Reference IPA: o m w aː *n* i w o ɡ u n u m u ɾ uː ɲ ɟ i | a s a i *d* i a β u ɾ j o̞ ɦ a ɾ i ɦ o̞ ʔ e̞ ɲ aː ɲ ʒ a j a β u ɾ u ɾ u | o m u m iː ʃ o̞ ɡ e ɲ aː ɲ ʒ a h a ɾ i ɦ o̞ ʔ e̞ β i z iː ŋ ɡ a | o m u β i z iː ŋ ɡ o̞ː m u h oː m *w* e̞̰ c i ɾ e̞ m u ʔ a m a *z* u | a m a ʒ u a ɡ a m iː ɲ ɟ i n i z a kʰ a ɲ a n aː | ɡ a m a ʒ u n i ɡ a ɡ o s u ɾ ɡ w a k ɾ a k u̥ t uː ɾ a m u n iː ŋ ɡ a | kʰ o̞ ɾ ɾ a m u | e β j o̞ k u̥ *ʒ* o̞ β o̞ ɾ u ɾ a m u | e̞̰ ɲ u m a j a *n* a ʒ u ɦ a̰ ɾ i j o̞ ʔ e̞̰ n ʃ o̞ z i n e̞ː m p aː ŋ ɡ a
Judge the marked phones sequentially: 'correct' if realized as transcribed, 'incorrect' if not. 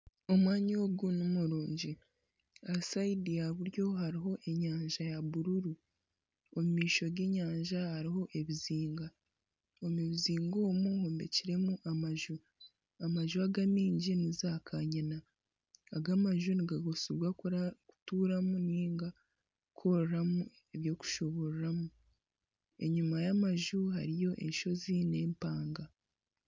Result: incorrect, correct, incorrect, incorrect, incorrect, incorrect

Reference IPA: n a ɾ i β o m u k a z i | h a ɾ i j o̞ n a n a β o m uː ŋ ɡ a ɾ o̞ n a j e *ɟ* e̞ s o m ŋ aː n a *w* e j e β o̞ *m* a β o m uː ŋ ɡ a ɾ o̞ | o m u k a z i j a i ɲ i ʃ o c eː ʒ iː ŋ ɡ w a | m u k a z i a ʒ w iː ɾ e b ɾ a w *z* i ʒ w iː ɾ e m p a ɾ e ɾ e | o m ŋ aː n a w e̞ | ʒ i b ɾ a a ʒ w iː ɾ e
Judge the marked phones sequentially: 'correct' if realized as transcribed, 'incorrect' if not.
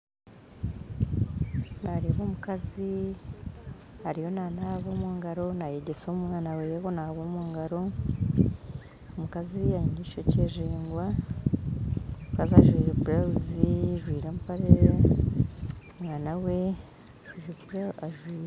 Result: correct, correct, incorrect, correct

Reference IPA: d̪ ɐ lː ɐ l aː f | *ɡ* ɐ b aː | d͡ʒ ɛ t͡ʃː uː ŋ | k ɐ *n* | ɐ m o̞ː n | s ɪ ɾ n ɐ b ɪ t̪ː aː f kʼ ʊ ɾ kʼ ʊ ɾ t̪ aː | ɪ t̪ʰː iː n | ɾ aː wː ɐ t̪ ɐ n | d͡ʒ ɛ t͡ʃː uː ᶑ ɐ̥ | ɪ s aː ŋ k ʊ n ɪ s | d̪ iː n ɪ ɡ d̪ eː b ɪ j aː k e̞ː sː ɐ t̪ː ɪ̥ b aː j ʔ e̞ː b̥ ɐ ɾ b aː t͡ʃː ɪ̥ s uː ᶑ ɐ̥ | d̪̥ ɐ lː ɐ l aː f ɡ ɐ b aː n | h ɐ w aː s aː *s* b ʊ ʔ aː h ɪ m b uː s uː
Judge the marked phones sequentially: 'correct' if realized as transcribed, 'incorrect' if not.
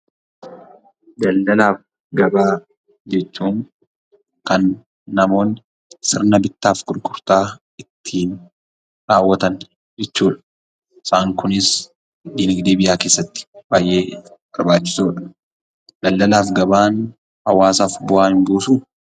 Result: correct, incorrect, incorrect

